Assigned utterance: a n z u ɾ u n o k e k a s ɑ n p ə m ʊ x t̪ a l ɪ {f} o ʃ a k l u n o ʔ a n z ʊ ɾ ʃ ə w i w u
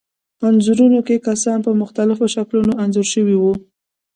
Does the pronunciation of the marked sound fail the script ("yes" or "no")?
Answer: no